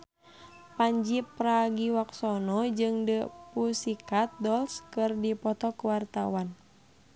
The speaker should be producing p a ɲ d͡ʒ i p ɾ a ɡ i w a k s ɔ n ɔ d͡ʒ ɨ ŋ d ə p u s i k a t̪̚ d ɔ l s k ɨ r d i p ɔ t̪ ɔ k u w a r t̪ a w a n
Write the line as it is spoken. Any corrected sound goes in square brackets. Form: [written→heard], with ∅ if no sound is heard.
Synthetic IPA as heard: p a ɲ d͡ʒ i p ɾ a ɡ i w a k s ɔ n ɔ d͡ʒ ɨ ŋ d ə p u s i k a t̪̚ d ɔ l s k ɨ r d i p ɔ t̪ ɔ k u w a r t̪ a w a n

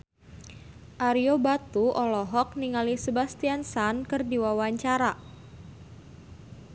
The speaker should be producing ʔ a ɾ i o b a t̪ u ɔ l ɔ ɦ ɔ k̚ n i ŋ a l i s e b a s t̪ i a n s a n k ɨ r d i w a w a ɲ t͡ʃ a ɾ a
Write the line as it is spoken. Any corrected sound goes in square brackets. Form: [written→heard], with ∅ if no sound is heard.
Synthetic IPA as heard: ʔ a ɾ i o b a t̪ u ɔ l ɔ ɦ ɔ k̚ n i ŋ a l i s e b a s t̪ i a n s a n k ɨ r d i w a w a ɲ t͡ʃ a ɾ a

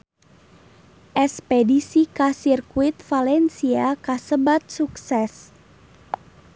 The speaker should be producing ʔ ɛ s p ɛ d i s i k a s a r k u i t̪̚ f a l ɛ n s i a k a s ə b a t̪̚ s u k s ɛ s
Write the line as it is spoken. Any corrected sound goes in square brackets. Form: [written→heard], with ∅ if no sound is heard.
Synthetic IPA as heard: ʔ ɛ s p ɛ d i s i k a s [a→i] r k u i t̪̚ f a l ɛ n s i a k a s ə b a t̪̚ s u k s ɛ s

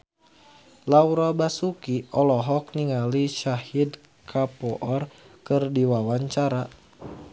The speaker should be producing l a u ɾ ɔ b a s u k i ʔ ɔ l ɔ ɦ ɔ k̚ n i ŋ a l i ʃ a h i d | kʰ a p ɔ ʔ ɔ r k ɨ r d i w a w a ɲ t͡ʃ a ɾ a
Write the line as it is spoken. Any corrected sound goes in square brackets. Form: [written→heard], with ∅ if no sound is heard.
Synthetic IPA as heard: l a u ɾ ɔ b a s u k i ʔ ɔ l ɔ ɦ ɔ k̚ n i ŋ a l i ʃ a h i d | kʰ a p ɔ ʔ ɔ r k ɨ r d i w a w a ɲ t͡ʃ a ɾ a

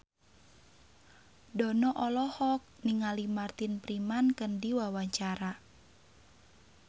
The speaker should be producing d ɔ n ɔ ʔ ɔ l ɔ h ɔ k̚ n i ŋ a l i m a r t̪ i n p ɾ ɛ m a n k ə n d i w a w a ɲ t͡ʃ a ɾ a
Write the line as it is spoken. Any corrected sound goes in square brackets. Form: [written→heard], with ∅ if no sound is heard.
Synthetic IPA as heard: d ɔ n ɔ ʔ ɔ l ɔ h ɔ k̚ n i ŋ a l i m a r t̪ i n p ɾ [ɛ→i] m a n k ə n d i w a w a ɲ t͡ʃ a ɾ a

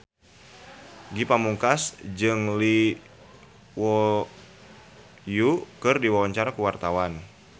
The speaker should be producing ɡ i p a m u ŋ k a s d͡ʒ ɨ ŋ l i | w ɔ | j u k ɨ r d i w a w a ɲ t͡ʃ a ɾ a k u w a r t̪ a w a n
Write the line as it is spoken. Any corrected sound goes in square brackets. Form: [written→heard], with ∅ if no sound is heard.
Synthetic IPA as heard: ɡ i p a m u ŋ k a s d͡ʒ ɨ ŋ l i | w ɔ | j u k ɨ r d i w a w a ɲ t͡ʃ a ɾ a k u w a r t̪ a w a n

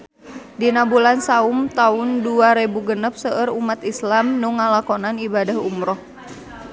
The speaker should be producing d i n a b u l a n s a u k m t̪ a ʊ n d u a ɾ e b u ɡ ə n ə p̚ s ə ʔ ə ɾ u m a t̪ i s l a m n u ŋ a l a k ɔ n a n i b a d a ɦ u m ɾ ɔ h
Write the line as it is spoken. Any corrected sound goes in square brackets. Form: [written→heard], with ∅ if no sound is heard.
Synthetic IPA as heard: d i n a b u l a n s a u [k→∅] m t̪ a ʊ n d u a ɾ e b u ɡ ə n ə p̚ s ə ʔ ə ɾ u m a t̪ i s l a m n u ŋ a l a k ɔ n a n i b a d a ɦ u m ɾ ɔ h

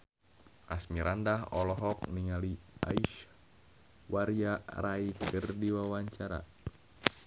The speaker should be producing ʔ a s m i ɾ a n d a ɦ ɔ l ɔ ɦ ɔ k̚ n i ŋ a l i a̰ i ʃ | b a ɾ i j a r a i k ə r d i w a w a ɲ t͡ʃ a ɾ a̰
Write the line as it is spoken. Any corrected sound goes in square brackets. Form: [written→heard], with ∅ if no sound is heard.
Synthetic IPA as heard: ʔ a s m i ɾ a n d a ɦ ɔ l ɔ ɦ ɔ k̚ n i ŋ a l i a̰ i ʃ | [b→w] a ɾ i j a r a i k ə r d i w a w a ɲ t͡ʃ a ɾ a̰

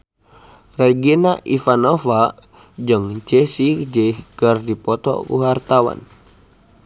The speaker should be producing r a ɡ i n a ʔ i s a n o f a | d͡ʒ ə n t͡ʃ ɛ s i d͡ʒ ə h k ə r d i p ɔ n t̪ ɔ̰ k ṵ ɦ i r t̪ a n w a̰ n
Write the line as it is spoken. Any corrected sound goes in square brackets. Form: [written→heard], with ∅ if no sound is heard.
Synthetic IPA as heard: r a ɡ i n a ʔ i [s→f] a n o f a | d͡ʒ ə [n→ŋ] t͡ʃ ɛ s i d͡ʒ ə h k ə r d i p ɔ [n→∅] t̪ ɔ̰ k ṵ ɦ [i→a] r t̪ a [n→∅] w a̰ n

